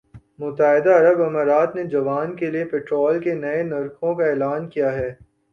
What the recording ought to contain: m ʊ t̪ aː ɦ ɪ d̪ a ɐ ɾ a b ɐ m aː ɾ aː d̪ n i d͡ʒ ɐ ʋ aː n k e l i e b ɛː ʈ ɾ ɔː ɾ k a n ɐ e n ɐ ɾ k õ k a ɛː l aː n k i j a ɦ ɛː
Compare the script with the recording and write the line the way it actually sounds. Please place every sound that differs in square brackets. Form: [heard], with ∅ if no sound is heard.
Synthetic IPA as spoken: m ʊ t̪ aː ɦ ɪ d̪ a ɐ ɾ [ə] b ɐ m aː ɾ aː [t̪] n [e] d͡ʒ ɐ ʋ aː n k e l i e [p] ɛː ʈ ɾ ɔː [l] k [e] n ɐ e n ɐ ɾ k õ k a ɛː l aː n k i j a ɦ ɛː